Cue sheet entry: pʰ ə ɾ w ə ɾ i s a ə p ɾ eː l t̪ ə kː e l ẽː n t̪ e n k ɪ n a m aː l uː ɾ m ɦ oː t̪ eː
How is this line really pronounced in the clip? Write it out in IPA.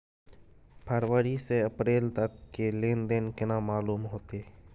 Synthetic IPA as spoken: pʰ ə ɾ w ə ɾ i s e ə p ɾ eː l t̪ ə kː e l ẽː n d̪ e n k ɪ n a m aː l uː m ɦ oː t̪ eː